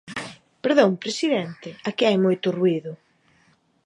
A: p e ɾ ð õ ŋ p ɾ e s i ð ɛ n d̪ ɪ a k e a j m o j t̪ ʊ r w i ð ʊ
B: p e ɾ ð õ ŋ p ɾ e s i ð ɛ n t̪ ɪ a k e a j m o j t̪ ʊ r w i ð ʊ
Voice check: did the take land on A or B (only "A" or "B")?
B